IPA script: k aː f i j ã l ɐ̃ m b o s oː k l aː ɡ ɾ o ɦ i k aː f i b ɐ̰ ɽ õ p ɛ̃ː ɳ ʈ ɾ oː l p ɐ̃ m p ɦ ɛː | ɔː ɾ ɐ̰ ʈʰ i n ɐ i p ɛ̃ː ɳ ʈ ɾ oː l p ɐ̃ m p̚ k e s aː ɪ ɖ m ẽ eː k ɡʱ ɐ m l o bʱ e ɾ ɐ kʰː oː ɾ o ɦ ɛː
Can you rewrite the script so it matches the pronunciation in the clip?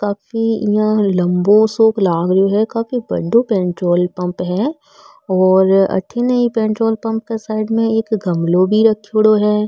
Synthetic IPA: k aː f i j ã l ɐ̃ m b o s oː k l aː ɡ ɾ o ɦ ɛ k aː f i b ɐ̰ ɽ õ p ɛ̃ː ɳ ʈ ɾ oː l p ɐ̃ m p ɦ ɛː | ɔː ɾ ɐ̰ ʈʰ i n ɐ i p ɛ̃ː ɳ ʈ ɾ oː l p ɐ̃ m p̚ k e s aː ɪ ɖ m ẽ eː k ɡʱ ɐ m l o bʱ i ɾ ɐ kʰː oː ɽ o ɦ ɛː